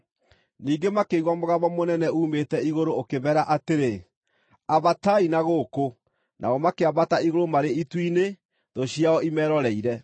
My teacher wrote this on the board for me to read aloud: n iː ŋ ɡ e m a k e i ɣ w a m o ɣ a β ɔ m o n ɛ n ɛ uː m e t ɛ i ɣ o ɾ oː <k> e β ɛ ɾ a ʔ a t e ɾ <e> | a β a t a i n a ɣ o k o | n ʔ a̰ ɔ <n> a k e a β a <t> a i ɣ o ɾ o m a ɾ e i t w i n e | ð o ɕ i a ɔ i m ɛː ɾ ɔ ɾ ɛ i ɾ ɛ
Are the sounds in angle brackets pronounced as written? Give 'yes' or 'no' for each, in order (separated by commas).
yes, yes, no, yes